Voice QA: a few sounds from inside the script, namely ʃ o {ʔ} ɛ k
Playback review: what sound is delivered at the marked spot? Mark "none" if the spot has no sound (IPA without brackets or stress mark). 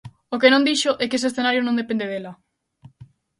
ʔ